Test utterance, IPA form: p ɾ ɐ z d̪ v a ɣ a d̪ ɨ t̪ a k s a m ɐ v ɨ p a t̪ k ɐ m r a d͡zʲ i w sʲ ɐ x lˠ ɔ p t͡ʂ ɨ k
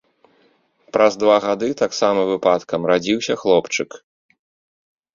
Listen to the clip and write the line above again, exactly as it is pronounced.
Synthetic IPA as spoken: p ɾ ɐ z d̪ v a ɣ a d̪ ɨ t̪ a k s a m ɐ v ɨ p a t̪ k ɐ m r a d͡zʲ i w sʲ ɐ x lˠ ɔ p t͡ʂ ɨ k

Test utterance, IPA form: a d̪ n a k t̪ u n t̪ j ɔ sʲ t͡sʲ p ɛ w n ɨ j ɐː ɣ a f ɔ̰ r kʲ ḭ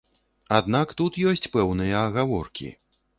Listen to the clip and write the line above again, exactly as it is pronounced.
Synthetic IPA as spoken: a d̪ n a k t̪ u t̪ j ɔ sʲ t͡sʲ p ɛ w n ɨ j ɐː ɣ a v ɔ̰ r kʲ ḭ

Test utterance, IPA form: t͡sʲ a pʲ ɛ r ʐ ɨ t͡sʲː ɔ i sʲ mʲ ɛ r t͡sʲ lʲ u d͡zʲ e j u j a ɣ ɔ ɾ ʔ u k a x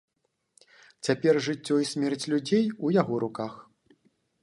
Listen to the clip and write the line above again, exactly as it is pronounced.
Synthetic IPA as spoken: t͡sʲ a pʲ ɛ r ʐ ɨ t͡sʲː ɔ i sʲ mʲ ɛ r t͡sʲ lʲ u d͡zʲ e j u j a ɣ ɔ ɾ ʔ u k a x

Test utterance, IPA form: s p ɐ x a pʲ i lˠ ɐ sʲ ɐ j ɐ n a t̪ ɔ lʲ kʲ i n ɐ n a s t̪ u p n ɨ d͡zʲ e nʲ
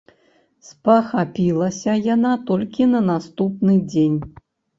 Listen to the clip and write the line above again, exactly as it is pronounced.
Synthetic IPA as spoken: s p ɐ x a pʲ i lˠ ɐ sʲ ɐ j a n a t̪ ɔ lʲ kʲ i n ɐ n a s t̪ u p n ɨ d͡zʲ e nʲ

